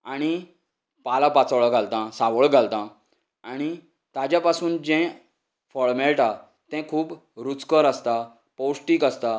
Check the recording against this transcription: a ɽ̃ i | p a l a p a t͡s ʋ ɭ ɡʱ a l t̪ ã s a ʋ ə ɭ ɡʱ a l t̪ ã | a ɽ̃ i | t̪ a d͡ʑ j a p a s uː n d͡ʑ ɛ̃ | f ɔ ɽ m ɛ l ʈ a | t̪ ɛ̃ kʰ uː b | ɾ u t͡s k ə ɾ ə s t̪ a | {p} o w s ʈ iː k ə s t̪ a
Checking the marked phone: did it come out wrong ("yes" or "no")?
no